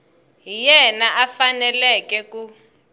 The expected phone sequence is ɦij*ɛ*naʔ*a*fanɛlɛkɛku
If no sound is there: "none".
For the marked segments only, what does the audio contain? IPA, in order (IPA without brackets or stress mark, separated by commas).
ɛ, a